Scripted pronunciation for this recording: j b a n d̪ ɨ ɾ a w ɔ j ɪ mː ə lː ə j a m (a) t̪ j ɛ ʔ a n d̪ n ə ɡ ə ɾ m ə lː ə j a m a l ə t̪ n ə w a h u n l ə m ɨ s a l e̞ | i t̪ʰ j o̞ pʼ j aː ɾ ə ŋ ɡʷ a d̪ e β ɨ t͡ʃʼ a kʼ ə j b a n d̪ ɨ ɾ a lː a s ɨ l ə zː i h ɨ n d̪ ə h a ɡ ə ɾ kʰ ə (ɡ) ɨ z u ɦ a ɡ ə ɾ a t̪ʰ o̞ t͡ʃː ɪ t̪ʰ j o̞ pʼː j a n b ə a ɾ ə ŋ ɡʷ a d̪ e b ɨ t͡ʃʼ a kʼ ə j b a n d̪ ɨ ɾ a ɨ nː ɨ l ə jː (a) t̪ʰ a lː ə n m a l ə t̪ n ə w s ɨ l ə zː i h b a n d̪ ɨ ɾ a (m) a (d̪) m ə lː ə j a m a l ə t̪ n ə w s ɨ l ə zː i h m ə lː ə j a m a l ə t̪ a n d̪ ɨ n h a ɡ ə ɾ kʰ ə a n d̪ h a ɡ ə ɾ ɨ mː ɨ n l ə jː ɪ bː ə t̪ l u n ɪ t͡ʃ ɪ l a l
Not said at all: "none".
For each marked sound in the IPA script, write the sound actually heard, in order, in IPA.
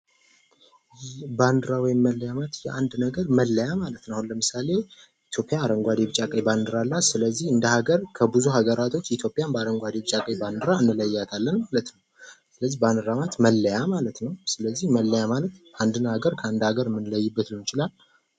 a, b, a, m, t̪

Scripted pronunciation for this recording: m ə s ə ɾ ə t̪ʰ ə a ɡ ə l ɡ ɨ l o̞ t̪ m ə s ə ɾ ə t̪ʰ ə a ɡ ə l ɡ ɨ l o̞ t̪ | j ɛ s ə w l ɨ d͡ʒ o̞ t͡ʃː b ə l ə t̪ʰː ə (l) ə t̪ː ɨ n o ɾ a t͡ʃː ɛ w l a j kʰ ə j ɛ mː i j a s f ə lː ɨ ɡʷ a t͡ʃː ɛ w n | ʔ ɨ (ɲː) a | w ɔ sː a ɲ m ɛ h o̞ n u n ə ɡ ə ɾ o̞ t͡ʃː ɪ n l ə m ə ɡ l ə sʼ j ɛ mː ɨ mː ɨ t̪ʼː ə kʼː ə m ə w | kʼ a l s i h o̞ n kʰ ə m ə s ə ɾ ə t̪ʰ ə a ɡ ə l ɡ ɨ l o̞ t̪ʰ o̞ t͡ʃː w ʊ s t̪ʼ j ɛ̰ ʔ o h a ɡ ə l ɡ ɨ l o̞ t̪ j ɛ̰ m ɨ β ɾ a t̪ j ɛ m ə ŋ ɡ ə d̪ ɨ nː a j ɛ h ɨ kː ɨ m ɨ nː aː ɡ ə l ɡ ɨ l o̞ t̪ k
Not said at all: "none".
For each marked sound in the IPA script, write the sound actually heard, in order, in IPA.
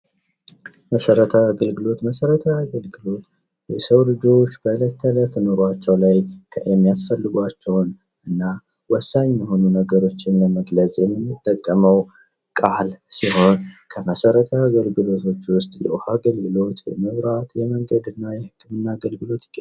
l, nː

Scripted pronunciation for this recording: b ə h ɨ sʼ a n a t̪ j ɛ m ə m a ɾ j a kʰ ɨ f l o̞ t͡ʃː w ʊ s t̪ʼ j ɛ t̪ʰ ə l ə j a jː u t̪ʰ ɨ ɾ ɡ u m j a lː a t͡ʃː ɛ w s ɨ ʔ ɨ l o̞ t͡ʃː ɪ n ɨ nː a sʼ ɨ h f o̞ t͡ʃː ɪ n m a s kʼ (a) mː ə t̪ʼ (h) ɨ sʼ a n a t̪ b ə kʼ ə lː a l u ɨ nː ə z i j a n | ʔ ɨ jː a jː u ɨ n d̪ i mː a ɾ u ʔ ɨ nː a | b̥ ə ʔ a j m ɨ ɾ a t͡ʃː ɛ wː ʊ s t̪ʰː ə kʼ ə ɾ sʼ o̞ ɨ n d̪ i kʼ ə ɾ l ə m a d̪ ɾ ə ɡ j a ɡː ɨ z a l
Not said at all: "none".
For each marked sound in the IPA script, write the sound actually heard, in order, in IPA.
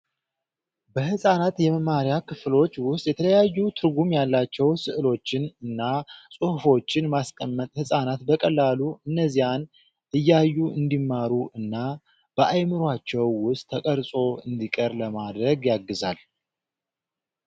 ə, h

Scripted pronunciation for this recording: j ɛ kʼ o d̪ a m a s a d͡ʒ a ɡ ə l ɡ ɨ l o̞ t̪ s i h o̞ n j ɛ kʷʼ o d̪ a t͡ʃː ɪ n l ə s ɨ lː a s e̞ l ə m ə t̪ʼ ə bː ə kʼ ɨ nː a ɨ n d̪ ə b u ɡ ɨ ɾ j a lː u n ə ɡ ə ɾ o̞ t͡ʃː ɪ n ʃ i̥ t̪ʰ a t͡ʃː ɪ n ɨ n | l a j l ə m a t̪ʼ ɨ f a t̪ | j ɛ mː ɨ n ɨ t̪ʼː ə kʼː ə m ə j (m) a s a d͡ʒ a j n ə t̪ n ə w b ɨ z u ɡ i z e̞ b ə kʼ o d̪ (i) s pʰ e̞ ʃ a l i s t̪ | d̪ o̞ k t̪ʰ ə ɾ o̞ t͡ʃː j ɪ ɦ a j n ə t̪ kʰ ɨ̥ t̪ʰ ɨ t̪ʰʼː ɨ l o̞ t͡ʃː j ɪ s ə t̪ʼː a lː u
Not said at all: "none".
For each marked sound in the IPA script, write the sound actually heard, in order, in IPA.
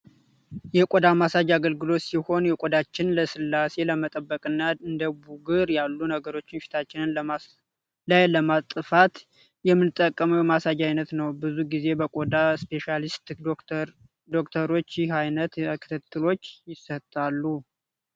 m, a

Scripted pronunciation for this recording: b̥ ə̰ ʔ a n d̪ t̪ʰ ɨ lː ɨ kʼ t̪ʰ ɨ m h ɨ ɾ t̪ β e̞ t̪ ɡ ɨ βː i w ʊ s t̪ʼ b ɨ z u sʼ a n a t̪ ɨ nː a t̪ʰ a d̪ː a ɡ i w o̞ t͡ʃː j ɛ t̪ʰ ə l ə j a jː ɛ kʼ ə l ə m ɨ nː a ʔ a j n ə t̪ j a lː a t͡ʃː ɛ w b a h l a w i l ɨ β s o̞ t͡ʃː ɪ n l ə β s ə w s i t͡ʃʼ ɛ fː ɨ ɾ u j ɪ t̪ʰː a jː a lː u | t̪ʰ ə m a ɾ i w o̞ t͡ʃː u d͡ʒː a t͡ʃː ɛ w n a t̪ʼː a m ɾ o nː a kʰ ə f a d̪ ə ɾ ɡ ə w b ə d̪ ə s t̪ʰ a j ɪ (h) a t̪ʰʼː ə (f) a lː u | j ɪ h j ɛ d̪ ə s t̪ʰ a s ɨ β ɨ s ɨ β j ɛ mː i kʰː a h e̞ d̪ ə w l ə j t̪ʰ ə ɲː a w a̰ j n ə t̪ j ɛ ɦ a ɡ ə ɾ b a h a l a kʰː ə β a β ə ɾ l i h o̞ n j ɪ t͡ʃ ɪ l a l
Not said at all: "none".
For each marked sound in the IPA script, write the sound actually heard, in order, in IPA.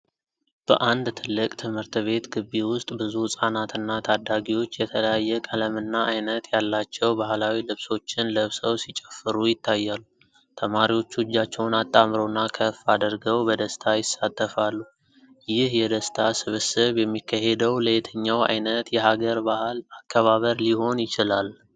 s, f

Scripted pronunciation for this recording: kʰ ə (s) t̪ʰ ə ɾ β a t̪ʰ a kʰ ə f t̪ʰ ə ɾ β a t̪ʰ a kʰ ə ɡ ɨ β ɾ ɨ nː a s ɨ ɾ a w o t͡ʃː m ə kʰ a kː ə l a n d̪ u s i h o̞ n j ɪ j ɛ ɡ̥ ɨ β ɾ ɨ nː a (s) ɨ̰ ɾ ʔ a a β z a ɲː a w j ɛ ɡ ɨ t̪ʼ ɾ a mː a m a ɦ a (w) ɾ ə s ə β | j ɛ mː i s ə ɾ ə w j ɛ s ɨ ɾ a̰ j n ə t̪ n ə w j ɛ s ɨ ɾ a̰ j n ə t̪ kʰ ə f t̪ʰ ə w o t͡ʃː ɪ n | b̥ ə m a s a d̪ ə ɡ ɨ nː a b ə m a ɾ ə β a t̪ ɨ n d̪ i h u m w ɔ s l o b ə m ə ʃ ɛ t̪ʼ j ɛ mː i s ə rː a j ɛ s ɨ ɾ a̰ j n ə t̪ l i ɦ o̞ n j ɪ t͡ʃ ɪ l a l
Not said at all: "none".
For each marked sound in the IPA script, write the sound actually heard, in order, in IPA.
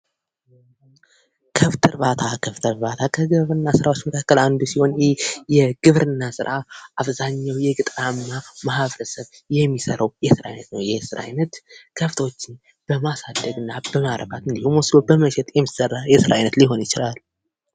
f, s, β

